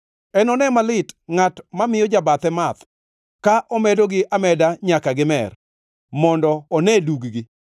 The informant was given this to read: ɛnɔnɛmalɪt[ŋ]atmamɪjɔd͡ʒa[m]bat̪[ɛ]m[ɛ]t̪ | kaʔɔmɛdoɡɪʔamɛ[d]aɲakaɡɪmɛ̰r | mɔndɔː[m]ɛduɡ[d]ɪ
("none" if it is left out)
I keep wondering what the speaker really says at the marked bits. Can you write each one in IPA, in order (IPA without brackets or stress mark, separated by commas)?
ŋ, none, ɛ, a, d, n, ɡ